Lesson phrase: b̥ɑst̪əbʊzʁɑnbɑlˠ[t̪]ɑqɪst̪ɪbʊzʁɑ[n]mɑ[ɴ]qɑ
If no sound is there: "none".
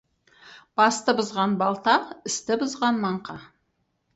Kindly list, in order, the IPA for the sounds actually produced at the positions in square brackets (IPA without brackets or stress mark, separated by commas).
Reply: t̪, n, ɴ